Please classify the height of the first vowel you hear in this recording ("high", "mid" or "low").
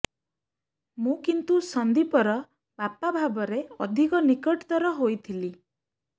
high